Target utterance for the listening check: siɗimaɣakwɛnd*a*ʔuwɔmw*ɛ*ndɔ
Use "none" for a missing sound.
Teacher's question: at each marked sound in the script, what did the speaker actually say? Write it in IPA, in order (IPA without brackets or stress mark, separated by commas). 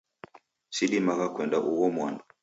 a, a